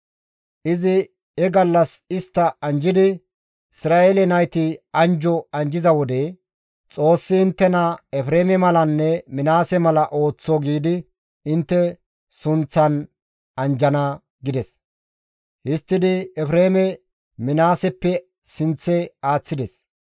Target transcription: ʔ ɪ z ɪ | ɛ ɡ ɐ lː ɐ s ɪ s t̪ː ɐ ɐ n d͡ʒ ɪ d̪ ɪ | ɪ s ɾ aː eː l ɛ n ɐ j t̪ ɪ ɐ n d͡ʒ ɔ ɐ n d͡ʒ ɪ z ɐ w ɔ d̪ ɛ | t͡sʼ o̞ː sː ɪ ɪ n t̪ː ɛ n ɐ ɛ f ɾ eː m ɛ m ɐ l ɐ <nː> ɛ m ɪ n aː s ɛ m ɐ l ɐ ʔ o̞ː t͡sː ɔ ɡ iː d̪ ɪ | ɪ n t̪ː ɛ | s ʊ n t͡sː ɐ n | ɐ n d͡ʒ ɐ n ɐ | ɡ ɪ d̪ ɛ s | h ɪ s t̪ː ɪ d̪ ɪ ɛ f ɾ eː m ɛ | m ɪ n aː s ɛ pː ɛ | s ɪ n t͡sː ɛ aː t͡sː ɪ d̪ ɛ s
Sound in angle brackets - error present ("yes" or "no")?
no